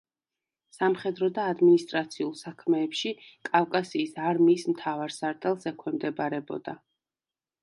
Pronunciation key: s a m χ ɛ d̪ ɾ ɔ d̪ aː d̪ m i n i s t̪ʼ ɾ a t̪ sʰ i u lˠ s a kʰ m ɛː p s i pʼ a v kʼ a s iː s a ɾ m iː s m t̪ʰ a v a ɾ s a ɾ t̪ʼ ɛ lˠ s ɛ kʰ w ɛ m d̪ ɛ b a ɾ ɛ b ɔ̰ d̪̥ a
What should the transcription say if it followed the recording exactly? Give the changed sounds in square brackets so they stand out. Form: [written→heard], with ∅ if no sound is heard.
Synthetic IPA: s a m χ ɛ d̪ ɾ ɔ d̪ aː d̪ m i n i s t̪ʼ ɾ a t̪ sʰ i u lˠ s a kʰ m ɛː p [s→ʃ] i [pʼ→kʼ] a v kʼ a s iː s a ɾ m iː s m t̪ʰ a v a ɾ s a ɾ t̪ʼ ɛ lˠ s ɛ kʰ w ɛ m d̪ ɛ b a ɾ ɛ b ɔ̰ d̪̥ a